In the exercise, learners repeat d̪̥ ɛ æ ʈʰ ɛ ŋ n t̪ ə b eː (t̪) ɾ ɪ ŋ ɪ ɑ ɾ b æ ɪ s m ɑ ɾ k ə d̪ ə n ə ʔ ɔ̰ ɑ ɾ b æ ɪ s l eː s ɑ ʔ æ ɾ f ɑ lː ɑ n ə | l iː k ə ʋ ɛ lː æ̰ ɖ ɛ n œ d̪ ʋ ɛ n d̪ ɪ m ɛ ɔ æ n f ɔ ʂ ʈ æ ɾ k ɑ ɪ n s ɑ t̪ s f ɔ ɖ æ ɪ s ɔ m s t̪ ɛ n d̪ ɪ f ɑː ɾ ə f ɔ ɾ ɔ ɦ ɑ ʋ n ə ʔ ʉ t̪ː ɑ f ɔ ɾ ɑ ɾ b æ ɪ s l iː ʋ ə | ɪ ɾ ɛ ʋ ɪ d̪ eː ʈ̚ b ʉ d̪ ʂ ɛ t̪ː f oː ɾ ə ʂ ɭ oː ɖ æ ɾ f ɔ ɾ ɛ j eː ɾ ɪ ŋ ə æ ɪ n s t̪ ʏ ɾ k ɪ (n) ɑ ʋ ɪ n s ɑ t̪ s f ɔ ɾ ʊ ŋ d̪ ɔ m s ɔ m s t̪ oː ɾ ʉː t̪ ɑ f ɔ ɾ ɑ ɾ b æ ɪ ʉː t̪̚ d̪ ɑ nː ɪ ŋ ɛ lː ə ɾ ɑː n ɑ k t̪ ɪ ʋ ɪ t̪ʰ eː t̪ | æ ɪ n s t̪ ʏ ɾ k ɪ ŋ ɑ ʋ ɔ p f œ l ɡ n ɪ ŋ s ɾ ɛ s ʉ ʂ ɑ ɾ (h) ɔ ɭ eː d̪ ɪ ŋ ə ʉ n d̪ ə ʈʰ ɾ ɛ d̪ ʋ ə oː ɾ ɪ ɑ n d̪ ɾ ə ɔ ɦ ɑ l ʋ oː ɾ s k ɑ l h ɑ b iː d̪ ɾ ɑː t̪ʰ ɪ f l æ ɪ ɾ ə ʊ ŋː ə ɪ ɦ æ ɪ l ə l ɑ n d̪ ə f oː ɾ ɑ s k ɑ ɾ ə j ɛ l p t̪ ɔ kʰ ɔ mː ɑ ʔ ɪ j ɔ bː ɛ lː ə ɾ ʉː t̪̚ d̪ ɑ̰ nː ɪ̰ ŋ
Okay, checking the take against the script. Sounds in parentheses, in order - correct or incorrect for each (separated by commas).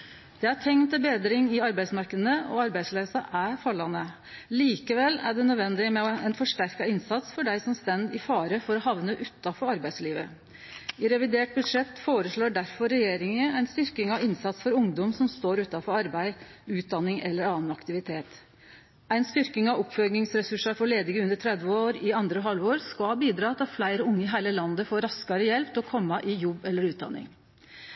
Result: incorrect, incorrect, incorrect